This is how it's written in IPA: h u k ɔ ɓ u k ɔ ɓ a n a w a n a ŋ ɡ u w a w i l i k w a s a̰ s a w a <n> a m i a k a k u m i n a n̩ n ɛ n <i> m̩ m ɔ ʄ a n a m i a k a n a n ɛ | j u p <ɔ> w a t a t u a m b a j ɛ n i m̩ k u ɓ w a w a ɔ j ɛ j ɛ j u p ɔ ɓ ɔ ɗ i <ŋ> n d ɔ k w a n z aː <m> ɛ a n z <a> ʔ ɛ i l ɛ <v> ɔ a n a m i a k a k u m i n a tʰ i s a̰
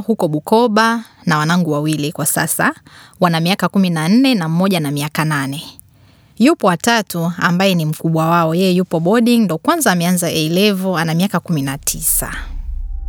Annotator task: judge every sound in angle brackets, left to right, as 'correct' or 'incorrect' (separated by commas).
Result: correct, incorrect, correct, correct, correct, correct, correct